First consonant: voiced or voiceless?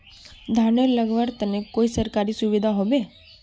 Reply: voiced